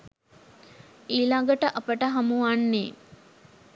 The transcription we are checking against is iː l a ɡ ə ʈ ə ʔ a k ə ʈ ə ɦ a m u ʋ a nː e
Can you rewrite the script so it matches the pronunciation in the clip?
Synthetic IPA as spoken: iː l a ɡ ə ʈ ə ʔ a p ə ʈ ə ɦ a m u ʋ a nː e